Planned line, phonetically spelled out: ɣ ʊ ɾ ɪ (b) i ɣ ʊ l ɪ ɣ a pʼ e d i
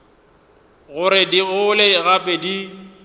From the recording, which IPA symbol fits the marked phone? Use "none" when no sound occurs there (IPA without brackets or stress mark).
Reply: d